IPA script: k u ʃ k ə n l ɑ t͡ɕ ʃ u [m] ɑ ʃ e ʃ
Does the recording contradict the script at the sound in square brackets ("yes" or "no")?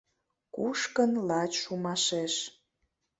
no